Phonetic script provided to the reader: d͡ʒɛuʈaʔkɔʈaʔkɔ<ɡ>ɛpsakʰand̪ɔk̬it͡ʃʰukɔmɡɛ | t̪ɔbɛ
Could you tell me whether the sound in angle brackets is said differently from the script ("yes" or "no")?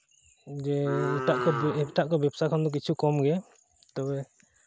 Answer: yes